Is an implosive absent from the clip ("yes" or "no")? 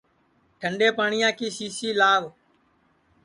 yes